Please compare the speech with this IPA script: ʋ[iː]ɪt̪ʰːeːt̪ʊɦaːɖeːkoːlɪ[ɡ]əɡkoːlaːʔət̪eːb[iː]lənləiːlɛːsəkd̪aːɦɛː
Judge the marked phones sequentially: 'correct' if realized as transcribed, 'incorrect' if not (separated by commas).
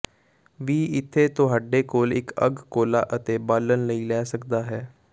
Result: correct, incorrect, incorrect